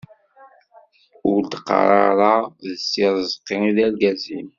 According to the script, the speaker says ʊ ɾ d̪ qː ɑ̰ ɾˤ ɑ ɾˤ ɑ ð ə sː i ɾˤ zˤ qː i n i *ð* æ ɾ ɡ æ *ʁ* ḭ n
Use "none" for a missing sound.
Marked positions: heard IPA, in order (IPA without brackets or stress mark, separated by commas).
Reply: ð, z